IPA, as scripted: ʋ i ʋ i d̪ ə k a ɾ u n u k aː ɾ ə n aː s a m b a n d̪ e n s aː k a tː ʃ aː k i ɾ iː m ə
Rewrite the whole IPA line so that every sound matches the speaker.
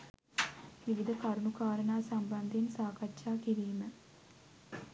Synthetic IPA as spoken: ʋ i ʋ i d̪ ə k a ɾ u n u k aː ɾ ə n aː s a m b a n d̪ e n s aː k a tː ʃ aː k i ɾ iː m ə